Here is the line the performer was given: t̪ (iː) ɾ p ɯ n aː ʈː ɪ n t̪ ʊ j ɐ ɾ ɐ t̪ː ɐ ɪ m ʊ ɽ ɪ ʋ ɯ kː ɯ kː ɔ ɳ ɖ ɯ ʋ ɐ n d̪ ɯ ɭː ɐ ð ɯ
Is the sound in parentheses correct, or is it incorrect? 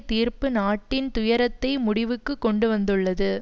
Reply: correct